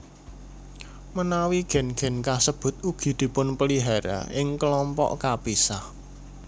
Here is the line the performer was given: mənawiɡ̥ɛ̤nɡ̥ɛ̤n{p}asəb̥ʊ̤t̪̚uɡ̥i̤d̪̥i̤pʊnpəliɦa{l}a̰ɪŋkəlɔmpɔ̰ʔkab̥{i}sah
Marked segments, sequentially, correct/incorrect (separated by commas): incorrect, incorrect, correct